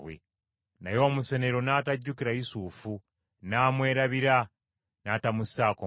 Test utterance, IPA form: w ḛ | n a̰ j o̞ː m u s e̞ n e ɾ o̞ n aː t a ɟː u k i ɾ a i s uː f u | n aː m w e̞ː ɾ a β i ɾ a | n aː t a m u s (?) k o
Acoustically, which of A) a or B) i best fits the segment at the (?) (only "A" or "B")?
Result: A